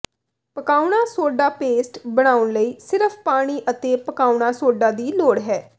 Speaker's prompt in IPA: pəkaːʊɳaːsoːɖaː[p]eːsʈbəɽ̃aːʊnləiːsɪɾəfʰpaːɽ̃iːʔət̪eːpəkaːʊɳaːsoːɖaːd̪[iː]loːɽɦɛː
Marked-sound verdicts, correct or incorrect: correct, correct

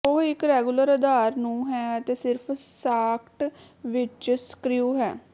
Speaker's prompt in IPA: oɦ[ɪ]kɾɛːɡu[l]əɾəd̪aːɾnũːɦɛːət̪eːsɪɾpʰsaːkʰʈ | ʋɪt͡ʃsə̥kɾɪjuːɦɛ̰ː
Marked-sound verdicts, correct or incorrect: correct, correct

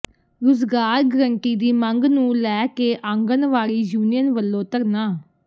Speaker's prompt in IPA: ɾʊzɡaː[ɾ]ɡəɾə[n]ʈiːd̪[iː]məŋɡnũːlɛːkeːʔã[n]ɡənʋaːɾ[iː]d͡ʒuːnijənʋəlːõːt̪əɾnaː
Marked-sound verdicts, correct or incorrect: correct, incorrect: ɳ, correct, incorrect: ŋ, correct

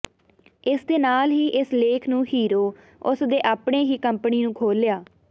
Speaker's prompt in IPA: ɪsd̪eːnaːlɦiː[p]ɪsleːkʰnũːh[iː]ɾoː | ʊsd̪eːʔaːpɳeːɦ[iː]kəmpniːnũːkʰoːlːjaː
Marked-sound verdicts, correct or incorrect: incorrect: ʔ, correct, correct

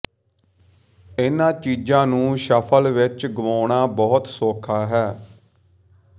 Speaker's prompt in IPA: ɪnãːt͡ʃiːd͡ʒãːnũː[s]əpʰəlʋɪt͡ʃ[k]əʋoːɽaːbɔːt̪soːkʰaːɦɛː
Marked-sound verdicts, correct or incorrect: incorrect: ʃ, incorrect: ɡ

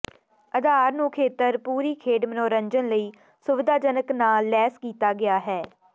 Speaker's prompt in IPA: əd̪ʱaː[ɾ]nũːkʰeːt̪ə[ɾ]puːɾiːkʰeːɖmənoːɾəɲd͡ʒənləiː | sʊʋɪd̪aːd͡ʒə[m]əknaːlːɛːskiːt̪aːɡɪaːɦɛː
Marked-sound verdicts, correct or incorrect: correct, correct, incorrect: n

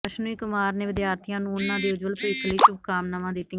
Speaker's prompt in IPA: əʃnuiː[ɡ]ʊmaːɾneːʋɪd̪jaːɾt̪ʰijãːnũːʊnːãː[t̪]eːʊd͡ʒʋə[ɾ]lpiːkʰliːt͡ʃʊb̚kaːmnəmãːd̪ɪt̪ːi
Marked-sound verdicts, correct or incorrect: incorrect: k, incorrect: d̪, incorrect: none

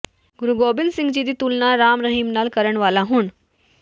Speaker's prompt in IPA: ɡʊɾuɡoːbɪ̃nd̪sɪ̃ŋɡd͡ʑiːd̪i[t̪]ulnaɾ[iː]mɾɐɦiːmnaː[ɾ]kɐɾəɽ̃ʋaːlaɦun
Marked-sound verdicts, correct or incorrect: correct, incorrect: aː, incorrect: l

